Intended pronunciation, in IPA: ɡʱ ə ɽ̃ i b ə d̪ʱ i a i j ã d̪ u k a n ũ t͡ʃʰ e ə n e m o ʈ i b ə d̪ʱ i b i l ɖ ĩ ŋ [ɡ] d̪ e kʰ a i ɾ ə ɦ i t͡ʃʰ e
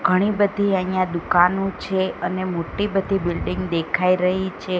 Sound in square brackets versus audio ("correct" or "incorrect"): correct